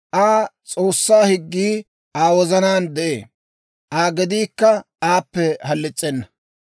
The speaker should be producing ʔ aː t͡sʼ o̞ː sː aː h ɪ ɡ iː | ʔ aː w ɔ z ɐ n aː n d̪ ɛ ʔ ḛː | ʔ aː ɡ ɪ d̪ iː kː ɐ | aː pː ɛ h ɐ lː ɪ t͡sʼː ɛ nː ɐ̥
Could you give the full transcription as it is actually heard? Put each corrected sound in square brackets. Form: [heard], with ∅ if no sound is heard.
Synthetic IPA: ʔ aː t͡sʼ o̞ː sː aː h ɪ [ɡː] iː | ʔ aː w ɔ z ɐ n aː n d̪ ɛ ʔ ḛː | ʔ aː ɡ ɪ d̪ iː kː ɐ | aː pː ɛ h ɐ lː ɪ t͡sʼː ɛ nː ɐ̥